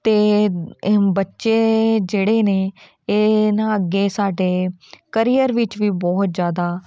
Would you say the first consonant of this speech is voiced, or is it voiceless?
voiceless